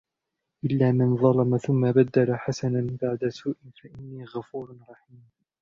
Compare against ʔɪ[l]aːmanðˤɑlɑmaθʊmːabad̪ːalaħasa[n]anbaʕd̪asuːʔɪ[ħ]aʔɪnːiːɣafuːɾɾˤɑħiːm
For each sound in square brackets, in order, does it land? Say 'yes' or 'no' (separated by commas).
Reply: no, yes, no